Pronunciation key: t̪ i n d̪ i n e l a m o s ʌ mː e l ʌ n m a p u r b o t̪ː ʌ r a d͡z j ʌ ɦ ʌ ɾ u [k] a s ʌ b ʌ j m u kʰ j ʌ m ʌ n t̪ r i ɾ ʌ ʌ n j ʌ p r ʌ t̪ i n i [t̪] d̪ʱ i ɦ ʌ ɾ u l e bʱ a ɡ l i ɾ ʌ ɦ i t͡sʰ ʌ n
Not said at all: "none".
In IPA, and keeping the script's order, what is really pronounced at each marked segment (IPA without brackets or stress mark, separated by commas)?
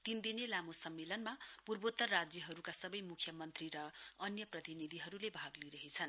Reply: k, none